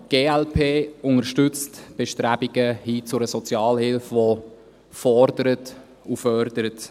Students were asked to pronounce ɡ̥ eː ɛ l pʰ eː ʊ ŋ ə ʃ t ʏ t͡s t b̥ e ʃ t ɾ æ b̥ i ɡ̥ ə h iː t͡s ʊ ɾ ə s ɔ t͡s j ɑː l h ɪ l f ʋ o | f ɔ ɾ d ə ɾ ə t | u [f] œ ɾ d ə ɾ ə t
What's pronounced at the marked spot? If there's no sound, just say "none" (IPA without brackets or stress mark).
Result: f